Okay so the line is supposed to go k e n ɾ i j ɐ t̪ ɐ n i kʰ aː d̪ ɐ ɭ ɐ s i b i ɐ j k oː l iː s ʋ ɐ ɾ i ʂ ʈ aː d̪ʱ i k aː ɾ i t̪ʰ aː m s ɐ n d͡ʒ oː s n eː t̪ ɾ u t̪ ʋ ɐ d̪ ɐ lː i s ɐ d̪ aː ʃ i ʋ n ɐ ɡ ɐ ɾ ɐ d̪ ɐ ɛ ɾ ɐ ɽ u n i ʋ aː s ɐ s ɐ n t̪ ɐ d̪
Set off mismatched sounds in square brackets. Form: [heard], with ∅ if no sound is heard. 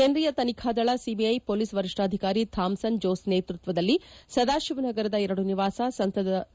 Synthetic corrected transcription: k e n ɾ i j ɐ t̪ ɐ n i kʰ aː d̪ ɐ ɭ ɐ s i b i ɐ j [p] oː l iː s ʋ ɐ ɾ i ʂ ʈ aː d̪ʱ i k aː ɾ i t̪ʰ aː m s ɐ n d͡ʒ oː s n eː t̪ ɾ u t̪ ʋ ɐ d̪ ɐ lː i s ɐ d̪ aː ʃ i ʋ n ɐ ɡ ɐ ɾ ɐ d̪ ɐ ɛ ɾ ɐ ɽ u n i ʋ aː s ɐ s ɐ n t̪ ɐ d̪